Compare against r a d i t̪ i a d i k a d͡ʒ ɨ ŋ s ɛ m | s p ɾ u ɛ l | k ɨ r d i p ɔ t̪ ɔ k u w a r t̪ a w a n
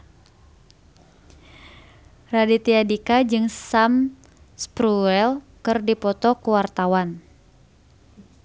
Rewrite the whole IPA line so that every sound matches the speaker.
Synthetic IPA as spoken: r a d i t̪ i a d i k a d͡ʒ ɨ ŋ s a m | s p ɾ u ɛ l | k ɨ r d i p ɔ t̪ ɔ k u w a r t̪ a w a n